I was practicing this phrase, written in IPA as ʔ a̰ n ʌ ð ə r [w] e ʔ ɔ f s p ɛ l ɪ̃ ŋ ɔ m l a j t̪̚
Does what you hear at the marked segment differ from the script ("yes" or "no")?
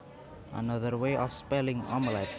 no